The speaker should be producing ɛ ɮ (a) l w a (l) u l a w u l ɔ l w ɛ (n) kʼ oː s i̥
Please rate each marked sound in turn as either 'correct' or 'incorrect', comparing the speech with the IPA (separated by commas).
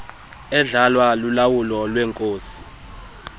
correct, correct, incorrect